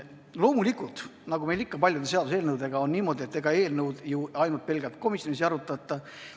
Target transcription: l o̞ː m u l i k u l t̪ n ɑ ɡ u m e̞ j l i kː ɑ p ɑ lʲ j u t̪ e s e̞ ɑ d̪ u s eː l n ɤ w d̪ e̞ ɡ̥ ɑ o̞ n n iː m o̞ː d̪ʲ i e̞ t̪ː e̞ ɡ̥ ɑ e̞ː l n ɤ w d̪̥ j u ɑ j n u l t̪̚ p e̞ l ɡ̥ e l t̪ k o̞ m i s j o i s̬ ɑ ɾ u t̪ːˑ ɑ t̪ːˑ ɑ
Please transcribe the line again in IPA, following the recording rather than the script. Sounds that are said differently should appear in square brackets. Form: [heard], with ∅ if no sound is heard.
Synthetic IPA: l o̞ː m u l i k u l t̪ n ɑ ɡ u m e̞ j l i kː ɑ p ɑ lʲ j u [d̪] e s e̞ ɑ d̪ u s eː l n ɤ w d̪ e̞ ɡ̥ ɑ o̞ n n iː m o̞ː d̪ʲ i e̞ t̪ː e̞ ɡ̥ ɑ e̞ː l n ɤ w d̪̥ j u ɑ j n u l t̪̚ p e̞ l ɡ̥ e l t̪ k o̞ m i s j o i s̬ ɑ ɾ u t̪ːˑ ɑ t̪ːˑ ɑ